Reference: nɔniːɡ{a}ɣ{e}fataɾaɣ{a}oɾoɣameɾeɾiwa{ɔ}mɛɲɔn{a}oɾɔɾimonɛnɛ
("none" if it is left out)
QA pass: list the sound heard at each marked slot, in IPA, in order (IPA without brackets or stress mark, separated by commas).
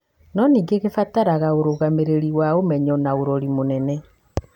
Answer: e, e, a, o, a